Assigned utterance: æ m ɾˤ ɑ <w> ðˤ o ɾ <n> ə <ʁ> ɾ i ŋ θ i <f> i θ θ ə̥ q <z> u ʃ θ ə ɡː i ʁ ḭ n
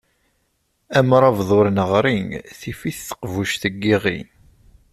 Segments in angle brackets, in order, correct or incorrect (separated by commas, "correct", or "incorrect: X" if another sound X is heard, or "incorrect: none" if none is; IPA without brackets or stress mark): incorrect: v, correct, correct, correct, incorrect: v